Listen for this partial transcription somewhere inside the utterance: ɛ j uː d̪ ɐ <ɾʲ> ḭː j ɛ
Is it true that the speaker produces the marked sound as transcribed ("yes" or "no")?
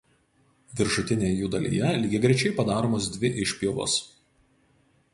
no